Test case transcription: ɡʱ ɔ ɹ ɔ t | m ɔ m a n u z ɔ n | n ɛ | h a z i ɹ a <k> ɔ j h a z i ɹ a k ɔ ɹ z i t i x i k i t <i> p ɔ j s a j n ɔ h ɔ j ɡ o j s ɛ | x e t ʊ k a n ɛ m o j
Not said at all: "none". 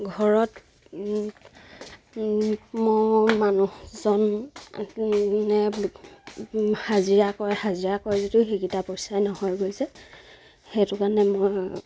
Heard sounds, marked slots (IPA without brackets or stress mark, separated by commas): k, a